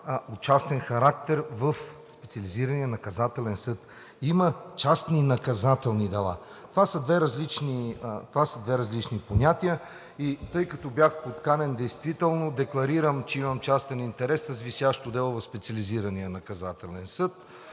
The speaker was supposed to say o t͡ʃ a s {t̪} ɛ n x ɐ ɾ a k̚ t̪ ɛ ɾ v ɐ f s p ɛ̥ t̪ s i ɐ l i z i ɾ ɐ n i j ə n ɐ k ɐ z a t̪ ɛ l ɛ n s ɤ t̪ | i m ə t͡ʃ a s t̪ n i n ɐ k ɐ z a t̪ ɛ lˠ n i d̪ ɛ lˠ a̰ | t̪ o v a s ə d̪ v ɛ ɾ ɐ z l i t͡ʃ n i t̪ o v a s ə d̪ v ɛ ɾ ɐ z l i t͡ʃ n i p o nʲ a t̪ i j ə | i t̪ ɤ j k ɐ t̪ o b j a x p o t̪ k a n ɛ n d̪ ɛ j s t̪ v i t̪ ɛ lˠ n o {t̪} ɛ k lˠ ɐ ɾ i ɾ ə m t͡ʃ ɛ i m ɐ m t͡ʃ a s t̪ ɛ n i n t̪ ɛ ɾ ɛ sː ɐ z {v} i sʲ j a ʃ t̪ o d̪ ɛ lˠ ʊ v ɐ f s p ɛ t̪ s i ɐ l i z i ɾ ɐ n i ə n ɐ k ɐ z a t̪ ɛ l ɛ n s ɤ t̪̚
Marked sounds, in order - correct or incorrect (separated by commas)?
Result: correct, incorrect, correct